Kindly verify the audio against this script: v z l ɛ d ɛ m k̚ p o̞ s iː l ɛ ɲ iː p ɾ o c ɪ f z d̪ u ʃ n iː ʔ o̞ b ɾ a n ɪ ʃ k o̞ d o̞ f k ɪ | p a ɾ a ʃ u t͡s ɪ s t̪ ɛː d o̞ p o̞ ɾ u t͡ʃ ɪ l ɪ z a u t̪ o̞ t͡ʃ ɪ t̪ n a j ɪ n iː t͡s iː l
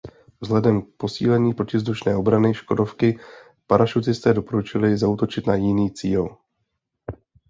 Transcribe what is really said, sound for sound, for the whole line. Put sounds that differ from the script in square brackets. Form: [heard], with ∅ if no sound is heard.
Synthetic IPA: v z l ɛ d ɛ m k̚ p o̞ s iː l ɛ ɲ iː p ɾ o c ɪ [v] z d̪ u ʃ n [ɛː] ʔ o̞ b ɾ a n ɪ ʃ k o̞ d o̞ f k ɪ | p a ɾ a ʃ u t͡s ɪ s t̪ ɛː d o̞ p o̞ ɾ u t͡ʃ ɪ l ɪ z a u t̪ o̞ t͡ʃ ɪ t̪ n a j ɪ n iː t͡s iː l